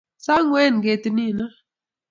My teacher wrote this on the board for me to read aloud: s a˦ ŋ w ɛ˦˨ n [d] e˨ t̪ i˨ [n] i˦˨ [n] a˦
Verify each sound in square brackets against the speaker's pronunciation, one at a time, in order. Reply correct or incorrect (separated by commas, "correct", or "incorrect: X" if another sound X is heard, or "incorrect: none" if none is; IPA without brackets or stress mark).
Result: incorrect: ɡ, correct, correct